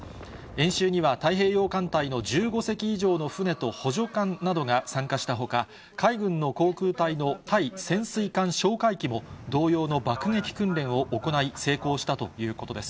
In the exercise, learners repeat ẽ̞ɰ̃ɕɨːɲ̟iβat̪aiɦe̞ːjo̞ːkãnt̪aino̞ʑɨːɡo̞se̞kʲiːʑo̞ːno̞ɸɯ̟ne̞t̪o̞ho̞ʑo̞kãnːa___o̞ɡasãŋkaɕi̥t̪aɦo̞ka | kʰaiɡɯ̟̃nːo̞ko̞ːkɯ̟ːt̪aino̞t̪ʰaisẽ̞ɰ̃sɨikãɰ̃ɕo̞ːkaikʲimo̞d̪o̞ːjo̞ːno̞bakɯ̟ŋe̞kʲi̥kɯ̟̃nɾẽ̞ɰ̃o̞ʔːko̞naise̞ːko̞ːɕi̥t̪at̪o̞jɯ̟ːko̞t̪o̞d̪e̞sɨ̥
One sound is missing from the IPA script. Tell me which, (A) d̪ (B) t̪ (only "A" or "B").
A